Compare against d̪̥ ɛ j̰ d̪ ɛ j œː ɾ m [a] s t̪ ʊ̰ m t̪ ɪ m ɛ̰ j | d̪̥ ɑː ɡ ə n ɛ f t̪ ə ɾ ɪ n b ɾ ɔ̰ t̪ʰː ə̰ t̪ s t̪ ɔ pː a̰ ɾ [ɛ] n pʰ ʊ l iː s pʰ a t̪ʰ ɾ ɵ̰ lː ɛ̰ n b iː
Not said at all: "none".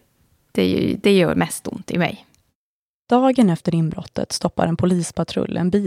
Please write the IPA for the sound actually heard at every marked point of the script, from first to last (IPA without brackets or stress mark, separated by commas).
ɛ, ɛ